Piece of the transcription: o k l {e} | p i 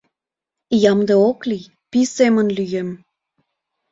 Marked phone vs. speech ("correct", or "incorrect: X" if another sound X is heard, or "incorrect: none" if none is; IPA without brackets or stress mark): incorrect: i